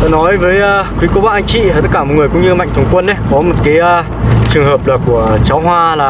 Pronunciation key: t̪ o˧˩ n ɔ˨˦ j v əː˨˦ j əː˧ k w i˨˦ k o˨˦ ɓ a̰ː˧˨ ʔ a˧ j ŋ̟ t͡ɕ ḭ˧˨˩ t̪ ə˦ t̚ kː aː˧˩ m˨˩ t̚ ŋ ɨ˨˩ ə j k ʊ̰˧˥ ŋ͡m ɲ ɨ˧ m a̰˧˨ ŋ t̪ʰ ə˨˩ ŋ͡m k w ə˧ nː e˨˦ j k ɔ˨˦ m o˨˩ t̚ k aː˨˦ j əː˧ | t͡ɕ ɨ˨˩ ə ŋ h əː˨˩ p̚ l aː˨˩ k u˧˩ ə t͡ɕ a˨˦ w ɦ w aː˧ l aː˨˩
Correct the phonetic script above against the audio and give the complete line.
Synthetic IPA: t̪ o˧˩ n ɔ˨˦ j v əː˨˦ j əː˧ k w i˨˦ k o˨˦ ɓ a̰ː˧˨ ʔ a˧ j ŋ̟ t͡ɕ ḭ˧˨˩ t̪ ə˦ t̚ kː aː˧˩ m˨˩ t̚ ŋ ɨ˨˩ ə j k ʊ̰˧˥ ŋ͡m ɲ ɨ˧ m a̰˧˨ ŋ t̪ʰ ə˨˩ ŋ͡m k w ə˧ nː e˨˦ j k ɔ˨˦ m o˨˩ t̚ k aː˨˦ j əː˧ | t͡ɕ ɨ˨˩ ə ŋ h əː˨˩ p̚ l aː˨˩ k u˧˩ ə t͡ɕ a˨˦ w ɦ w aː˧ l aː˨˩